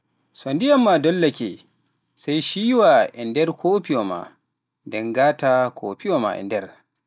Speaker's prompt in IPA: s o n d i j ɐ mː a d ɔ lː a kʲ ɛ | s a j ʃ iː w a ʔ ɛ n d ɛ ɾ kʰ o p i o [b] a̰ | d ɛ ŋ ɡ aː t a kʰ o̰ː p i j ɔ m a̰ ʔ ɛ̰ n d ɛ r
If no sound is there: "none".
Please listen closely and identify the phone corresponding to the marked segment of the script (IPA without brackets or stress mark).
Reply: m